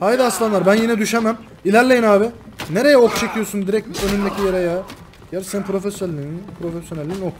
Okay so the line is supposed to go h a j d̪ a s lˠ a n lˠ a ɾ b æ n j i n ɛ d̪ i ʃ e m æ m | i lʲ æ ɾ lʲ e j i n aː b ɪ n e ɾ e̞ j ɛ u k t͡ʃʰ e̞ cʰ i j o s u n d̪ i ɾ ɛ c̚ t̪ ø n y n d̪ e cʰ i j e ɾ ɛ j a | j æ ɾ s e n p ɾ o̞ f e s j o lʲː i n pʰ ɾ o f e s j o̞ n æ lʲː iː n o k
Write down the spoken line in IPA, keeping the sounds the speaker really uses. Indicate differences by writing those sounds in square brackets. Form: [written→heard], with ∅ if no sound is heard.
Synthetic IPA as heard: h a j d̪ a s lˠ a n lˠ a ɾ b æ n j i n ɛ d̪ [i→y] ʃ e m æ m | i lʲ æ ɾ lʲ e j i n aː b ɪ n e ɾ e̞ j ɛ [u→o] k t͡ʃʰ e̞ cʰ i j o s u n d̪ i ɾ ɛ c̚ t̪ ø n y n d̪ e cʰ i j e ɾ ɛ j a | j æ ɾ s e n p ɾ o̞ f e s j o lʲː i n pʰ ɾ o f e s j o̞ n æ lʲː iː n o k